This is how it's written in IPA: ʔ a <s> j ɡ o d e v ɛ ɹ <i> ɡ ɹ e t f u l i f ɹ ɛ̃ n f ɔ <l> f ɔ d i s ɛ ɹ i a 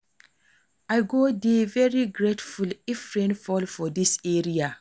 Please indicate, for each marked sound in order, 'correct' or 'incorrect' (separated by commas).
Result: incorrect, correct, correct